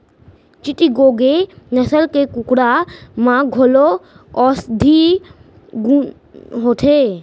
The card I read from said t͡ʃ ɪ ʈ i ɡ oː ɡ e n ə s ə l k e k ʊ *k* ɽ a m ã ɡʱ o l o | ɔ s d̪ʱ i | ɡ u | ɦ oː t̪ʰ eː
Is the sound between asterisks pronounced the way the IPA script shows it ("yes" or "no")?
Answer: yes